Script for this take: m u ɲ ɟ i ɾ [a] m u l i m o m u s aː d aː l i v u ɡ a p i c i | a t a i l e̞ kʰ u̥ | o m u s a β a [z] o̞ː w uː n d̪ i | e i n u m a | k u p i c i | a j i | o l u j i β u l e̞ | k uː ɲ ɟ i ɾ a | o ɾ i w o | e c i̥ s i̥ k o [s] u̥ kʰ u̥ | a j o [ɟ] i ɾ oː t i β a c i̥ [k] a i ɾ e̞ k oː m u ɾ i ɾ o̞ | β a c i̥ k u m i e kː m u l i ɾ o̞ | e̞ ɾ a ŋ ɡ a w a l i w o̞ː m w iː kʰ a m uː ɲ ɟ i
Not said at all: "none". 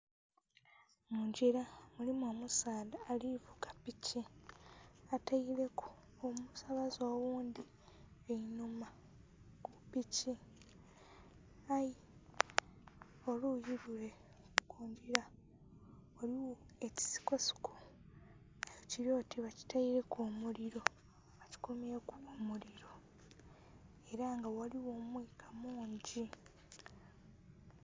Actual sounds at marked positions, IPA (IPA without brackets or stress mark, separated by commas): a, z, s, c, t